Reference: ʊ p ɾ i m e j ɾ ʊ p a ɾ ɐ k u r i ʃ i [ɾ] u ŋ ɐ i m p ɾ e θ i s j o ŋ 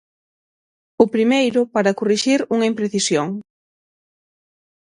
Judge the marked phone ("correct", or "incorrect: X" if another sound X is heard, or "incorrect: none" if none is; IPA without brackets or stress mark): correct